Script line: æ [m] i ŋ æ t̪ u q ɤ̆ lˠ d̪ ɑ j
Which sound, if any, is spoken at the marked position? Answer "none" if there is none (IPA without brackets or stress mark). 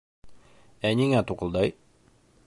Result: n